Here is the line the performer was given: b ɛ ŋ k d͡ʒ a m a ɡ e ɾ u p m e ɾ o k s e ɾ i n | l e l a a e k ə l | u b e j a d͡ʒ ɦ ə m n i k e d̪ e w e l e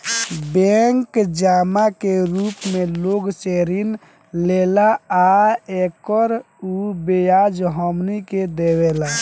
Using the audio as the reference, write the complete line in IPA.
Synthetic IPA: b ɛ ŋ k d͡ʒ a m a k e ɾ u p m e l o ɡ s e ɾ i n | l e l a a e k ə ɾ | u b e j a d͡ʒ ɦ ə m n i k e d̪ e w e l a